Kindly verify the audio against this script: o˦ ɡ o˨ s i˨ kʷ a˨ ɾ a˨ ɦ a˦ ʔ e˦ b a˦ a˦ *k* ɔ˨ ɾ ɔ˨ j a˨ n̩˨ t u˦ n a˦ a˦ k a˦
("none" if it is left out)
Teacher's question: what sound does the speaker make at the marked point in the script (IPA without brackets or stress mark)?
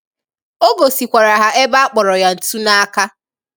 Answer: k͡p